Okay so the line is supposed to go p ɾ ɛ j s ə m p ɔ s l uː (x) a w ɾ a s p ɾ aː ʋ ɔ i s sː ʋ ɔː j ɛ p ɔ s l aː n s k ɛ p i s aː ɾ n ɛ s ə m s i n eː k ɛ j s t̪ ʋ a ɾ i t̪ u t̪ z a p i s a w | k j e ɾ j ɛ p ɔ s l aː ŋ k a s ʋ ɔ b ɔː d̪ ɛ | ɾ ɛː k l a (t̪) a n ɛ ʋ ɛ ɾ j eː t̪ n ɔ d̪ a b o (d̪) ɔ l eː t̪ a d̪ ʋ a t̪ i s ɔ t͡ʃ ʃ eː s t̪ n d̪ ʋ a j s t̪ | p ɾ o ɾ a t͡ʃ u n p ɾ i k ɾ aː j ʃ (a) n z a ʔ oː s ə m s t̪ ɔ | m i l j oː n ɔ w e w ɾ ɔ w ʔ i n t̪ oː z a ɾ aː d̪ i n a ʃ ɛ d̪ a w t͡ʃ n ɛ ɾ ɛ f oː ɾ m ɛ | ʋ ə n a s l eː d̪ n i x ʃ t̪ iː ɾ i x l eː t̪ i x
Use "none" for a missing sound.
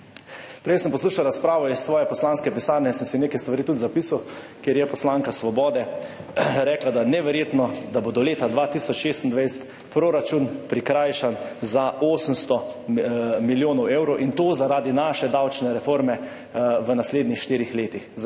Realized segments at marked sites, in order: ʃ, d̪, d̪, a

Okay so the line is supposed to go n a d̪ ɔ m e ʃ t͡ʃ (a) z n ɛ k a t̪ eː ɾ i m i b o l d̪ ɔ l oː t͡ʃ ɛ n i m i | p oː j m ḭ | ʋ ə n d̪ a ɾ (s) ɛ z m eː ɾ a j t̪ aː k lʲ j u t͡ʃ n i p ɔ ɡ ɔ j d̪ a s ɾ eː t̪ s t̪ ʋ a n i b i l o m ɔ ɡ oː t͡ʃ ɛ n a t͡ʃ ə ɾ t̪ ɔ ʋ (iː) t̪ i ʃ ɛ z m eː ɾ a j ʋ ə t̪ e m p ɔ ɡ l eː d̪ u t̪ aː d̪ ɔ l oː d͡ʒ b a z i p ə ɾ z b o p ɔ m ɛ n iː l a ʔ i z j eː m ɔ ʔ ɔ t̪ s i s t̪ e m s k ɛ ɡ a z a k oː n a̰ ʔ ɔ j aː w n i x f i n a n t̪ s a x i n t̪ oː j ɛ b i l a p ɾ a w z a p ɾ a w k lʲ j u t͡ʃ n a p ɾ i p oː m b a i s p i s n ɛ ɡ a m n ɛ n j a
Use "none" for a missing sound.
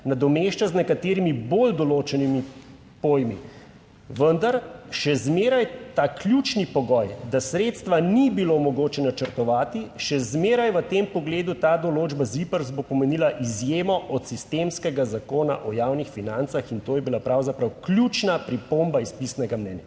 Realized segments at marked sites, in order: a, ʃ, aː

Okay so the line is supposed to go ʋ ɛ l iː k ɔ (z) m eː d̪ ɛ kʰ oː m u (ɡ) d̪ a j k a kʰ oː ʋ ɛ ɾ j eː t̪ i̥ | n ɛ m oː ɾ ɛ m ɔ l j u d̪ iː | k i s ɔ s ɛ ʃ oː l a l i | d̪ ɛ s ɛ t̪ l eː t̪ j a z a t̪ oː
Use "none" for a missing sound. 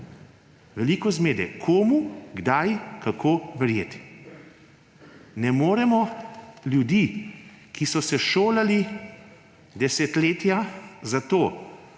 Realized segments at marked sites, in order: z, ɡ

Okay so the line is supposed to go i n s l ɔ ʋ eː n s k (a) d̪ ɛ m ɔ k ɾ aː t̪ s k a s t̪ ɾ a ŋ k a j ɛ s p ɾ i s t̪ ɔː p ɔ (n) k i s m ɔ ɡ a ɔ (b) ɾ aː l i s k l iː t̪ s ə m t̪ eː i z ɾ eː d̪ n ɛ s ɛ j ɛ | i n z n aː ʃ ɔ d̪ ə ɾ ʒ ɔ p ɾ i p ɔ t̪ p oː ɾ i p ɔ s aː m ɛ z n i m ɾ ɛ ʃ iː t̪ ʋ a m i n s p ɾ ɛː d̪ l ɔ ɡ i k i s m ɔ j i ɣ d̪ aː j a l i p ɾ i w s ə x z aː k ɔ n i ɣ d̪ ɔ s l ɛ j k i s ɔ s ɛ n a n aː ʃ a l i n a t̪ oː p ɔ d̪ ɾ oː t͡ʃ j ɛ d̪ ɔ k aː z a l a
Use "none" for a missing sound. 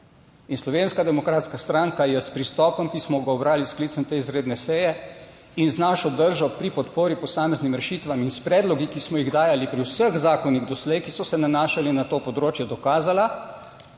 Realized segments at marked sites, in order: a, m, b

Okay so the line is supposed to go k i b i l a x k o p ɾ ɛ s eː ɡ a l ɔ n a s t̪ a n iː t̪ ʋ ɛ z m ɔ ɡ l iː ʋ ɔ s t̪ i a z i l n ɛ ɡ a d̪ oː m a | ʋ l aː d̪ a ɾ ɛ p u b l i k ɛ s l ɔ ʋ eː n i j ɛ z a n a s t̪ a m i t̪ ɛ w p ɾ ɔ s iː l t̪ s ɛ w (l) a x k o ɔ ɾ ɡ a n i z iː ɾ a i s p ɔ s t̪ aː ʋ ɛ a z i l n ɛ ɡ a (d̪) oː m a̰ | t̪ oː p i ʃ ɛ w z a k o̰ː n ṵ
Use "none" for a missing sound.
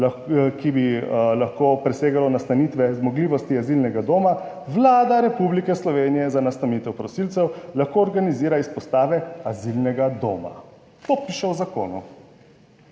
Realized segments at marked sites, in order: l, d̪

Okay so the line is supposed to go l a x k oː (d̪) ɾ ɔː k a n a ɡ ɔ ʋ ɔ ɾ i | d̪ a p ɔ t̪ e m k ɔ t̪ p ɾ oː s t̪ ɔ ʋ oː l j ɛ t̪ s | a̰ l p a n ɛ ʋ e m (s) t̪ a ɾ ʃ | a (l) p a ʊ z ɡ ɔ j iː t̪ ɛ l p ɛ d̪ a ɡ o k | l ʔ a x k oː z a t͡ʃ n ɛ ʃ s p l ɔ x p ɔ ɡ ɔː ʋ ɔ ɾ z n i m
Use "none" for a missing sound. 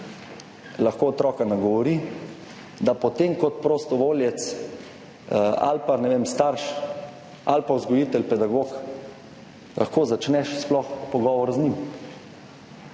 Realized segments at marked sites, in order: t̪, s, l

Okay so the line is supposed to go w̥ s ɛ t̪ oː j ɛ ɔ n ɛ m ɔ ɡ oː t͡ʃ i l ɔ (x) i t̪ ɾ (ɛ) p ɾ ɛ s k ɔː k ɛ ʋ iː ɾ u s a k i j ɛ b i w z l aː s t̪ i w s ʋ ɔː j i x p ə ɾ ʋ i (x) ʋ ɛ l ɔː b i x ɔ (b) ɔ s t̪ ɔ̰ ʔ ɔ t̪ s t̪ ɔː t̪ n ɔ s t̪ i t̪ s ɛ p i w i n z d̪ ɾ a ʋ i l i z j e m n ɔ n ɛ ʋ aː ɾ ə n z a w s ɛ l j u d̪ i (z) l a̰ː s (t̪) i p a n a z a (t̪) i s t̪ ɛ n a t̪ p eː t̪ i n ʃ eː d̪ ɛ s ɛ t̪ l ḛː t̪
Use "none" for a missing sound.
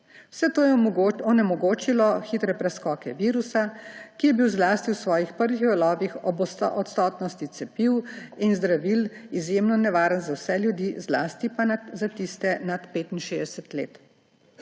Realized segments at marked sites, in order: x, ɛ, x, b, z, t̪, t̪

